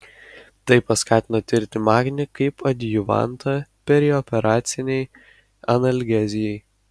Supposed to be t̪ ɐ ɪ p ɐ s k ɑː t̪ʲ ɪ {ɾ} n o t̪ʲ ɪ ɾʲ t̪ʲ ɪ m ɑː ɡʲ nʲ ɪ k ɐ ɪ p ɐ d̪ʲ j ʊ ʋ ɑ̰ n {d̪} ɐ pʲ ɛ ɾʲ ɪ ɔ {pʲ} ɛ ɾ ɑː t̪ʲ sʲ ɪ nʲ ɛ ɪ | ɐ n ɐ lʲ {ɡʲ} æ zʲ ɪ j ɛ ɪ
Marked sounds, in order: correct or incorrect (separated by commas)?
incorrect, incorrect, correct, correct